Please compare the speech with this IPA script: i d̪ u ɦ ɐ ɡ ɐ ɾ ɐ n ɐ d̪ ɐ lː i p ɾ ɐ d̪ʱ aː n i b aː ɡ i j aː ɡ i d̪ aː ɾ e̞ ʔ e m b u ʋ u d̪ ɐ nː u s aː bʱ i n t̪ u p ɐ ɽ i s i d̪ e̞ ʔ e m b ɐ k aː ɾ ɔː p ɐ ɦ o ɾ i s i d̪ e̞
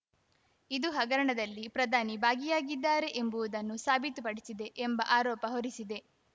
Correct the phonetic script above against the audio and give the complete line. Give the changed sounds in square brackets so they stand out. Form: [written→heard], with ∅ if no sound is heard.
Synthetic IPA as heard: i d̪ u ɦ ɐ ɡ ɐ ɾ ɐ [n→ɳ] ɐ d̪ ɐ lː i p ɾ ɐ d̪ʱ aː n i b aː ɡ i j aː ɡ i [d̪→d̪ː] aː ɾ e̞ ʔ e m b u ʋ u d̪ ɐ nː u s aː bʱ i [n→∅] t̪ u p ɐ ɽ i s i d̪ e̞ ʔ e m b ɐ [k→ʔ] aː ɾ ɔː p ɐ ɦ o ɾ i s i d̪ e̞